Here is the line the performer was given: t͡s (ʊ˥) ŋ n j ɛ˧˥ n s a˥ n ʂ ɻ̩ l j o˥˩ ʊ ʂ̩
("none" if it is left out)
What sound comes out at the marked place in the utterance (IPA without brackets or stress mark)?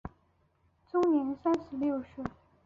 ʊ˥